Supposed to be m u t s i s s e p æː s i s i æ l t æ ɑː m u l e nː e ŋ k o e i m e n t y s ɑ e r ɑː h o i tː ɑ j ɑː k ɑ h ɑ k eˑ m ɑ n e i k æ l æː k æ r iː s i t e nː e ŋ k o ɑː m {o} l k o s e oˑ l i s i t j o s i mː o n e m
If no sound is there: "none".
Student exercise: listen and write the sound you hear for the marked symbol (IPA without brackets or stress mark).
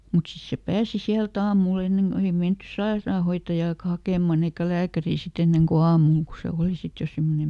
u